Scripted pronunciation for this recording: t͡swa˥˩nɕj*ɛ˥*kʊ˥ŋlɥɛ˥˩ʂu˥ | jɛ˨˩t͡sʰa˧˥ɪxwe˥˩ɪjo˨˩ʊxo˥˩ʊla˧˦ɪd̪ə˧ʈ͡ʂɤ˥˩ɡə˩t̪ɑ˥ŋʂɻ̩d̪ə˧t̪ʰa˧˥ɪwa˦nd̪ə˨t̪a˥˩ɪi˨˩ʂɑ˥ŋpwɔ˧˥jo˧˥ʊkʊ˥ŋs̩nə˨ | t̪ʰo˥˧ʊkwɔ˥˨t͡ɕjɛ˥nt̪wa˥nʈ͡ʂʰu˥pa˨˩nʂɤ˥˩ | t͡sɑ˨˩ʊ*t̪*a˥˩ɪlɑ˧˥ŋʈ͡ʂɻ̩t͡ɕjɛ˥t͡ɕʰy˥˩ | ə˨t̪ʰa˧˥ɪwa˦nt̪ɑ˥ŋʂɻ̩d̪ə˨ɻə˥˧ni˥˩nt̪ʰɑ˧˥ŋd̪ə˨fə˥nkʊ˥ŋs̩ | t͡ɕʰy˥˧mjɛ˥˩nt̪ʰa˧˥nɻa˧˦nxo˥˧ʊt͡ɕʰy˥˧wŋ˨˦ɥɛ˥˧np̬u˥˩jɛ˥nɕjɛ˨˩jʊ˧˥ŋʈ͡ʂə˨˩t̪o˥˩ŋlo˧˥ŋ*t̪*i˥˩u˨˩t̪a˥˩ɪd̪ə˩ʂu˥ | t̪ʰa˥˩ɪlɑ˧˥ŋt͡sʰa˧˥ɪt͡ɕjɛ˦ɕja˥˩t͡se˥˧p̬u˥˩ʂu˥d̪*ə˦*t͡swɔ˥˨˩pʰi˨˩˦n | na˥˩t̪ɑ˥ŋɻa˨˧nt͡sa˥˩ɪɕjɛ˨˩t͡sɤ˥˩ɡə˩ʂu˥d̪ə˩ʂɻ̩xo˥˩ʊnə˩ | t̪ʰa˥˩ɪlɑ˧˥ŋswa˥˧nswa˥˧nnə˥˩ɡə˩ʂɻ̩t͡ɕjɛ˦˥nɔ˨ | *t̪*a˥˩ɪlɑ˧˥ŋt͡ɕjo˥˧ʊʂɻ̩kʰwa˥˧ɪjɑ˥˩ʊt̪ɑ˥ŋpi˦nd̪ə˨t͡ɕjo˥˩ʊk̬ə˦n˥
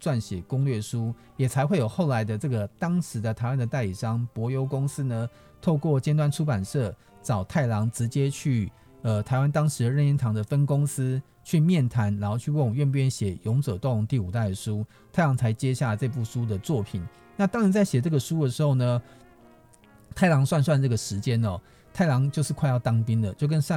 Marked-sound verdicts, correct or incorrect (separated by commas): incorrect, incorrect, correct, incorrect, incorrect